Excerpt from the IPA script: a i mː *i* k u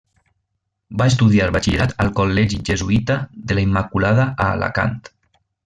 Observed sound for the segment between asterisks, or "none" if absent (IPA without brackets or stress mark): a